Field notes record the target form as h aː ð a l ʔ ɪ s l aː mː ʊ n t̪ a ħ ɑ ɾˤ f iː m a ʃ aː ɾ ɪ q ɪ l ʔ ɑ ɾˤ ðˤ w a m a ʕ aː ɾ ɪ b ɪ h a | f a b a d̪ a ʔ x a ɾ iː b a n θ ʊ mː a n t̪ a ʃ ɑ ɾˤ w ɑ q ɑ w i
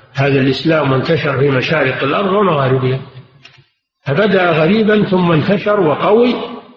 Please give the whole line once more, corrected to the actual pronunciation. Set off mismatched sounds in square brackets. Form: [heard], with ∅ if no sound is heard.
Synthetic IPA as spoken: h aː ð a l ʔ ɪ s l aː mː ʊ n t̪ a [ʃ] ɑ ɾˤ f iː m a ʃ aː ɾ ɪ q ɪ l ʔ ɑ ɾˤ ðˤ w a m a [ɣ] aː ɾ ɪ b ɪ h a | f a b a d̪ a ʔ [ɣ] a ɾ iː b a n θ ʊ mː a n t̪ a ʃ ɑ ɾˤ w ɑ q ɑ w i